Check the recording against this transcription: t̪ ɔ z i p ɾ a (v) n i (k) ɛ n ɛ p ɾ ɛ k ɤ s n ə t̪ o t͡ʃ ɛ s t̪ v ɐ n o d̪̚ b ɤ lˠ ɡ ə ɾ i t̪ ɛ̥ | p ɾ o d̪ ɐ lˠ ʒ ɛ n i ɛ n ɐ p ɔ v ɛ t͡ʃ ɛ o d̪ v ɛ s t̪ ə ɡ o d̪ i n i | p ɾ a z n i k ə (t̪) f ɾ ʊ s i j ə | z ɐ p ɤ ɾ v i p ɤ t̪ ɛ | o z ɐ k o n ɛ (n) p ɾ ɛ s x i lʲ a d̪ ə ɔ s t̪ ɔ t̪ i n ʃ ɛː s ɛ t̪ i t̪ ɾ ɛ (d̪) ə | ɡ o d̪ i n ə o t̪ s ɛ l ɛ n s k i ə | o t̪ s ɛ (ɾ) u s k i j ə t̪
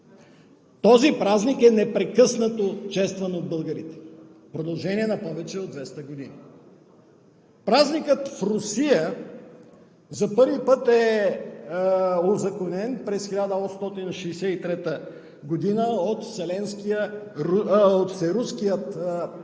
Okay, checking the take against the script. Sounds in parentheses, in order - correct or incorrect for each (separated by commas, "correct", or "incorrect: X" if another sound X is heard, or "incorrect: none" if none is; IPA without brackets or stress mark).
incorrect: z, correct, correct, correct, incorrect: t̪, correct